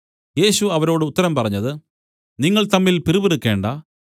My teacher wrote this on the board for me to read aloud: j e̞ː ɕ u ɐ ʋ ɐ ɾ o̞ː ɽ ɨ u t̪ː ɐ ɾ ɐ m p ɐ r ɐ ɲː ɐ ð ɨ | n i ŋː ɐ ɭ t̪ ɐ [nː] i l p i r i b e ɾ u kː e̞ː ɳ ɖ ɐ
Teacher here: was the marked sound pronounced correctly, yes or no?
no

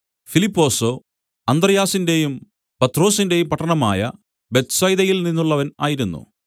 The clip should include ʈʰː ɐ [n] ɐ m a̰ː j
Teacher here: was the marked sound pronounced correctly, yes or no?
no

